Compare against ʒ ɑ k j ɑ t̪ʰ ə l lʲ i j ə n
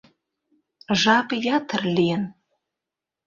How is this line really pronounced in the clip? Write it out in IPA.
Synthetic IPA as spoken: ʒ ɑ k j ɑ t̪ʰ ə r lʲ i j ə n